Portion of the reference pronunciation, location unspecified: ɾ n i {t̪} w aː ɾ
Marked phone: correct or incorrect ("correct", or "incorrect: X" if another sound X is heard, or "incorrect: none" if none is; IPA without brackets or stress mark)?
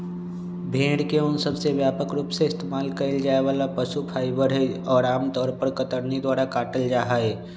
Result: incorrect: d̪